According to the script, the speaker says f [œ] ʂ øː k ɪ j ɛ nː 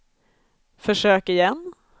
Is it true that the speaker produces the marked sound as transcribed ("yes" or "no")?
yes